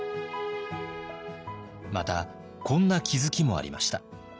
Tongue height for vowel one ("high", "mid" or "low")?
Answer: low